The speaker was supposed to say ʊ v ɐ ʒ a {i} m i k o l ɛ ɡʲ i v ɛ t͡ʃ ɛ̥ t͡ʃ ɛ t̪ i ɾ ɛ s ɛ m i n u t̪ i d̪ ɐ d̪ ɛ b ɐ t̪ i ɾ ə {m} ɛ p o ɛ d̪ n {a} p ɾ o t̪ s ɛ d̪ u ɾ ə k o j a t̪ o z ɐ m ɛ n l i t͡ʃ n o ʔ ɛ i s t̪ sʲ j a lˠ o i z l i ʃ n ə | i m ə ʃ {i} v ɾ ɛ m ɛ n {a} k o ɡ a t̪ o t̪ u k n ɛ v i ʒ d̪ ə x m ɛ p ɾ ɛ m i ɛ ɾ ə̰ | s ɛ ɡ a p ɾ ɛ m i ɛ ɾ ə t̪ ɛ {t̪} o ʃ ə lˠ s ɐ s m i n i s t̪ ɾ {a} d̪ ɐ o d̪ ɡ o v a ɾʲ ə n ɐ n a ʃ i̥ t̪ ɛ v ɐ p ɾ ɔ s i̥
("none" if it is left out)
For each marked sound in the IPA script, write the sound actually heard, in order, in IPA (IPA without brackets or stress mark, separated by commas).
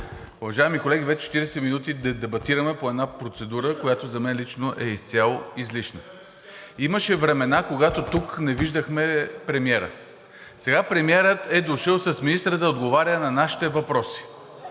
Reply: ɛ, m, a, ɛ, a, d̪, ə